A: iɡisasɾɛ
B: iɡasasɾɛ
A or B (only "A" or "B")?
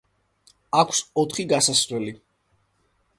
B